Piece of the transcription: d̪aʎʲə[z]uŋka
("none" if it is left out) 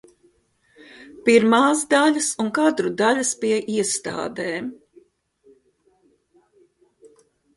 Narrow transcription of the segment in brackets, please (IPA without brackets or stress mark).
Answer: s